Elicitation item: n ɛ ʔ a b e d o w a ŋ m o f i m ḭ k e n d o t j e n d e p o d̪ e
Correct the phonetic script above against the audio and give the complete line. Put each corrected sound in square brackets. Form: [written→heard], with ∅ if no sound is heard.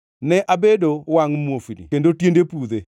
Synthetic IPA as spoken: n ɛ ʔ a b e d o w a ŋ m o f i [m→n] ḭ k e n d o t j e n d e p [o→u] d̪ e